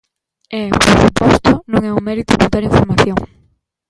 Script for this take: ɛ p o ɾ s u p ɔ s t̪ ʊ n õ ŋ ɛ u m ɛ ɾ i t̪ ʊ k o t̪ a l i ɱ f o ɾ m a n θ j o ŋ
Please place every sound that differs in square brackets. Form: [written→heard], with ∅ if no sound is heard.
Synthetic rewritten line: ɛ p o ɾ s u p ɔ s t̪ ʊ n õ ŋ ɛ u m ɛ ɾ i t̪ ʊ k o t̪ a [l→ɾ] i ɱ f o ɾ m a [n→∅] θ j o ŋ